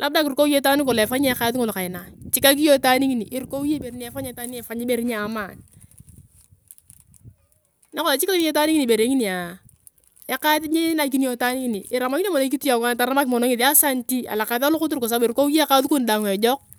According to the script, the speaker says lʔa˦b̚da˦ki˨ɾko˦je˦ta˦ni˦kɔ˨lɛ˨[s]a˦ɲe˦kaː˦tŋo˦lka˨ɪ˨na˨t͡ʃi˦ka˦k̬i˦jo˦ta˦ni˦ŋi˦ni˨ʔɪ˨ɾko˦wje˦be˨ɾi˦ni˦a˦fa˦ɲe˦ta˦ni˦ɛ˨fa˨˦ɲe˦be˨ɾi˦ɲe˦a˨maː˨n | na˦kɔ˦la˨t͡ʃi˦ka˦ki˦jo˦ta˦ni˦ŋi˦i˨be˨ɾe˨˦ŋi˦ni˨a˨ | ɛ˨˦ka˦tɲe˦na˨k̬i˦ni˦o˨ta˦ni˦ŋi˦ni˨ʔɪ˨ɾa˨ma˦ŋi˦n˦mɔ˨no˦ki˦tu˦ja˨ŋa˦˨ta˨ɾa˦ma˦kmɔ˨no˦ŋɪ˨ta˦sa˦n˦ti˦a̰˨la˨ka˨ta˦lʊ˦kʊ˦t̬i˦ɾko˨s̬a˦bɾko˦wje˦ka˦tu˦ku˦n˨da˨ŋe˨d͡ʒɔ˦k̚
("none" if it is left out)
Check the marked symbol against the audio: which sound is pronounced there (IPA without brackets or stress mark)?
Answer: f